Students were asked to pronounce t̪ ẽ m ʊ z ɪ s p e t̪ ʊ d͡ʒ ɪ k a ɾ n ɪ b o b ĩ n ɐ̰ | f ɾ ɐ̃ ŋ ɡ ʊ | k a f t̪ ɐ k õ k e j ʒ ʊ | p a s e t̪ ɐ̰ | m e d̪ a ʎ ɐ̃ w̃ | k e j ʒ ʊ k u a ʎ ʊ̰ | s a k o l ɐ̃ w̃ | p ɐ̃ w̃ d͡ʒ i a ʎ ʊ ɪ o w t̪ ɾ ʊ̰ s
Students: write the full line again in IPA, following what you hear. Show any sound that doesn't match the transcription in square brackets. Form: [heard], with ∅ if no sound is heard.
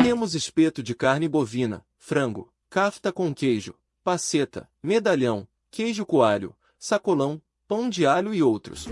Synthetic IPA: t̪ ẽ m ʊ z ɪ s p e t̪ ʊ d͡ʒ ɪ k a ɾ n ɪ b o [v] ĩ n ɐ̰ | f ɾ ɐ̃ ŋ ɡ ʊ | k a f t̪ ɐ k õ k e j ʒ ʊ | p a s e t̪ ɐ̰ | m e d̪ a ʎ ɐ̃ w̃ | k e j ʒ ʊ k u a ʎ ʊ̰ | s a k o l ɐ̃ w̃ | p ɐ̃ w̃ d͡ʒ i a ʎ ʊ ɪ o w t̪ ɾ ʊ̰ s